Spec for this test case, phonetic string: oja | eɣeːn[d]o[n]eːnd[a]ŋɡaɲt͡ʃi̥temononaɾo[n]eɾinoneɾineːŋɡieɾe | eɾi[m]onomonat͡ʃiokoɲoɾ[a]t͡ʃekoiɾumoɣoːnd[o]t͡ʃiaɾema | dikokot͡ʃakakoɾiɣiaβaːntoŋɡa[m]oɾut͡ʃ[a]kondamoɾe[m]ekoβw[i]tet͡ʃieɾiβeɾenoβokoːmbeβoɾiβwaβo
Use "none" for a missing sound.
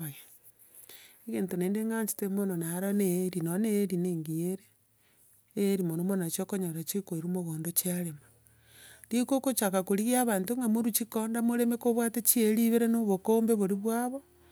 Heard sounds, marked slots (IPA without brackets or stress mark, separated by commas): t, n, e, n, m, a, o, m, i, m, a